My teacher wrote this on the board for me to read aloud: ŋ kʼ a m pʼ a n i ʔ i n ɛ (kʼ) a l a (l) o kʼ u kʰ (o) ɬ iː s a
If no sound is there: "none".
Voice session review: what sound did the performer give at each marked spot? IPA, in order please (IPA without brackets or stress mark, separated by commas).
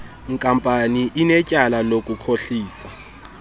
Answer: cʼ, l, o